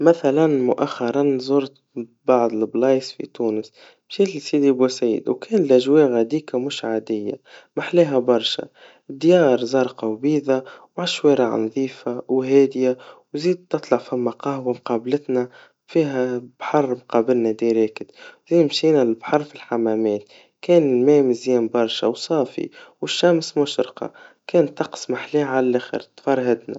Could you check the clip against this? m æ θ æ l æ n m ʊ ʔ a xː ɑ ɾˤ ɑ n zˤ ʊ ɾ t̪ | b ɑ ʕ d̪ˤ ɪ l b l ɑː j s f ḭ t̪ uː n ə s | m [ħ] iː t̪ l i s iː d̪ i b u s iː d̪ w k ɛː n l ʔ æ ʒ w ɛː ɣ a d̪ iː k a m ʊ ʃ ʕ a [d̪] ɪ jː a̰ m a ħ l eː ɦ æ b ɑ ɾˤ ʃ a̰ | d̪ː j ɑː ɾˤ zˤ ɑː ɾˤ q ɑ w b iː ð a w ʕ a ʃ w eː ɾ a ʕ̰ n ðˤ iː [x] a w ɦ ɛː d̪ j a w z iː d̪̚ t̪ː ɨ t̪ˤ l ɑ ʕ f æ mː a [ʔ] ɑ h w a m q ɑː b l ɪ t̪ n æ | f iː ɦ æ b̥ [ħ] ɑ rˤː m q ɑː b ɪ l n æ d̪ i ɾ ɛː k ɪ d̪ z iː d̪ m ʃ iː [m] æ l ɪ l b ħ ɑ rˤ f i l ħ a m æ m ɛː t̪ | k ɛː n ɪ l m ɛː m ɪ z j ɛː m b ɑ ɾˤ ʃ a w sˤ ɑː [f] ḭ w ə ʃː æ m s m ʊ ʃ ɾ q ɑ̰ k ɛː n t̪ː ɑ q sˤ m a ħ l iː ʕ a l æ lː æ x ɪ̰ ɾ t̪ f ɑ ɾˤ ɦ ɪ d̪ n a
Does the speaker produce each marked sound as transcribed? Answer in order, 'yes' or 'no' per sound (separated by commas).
no, yes, no, no, yes, no, yes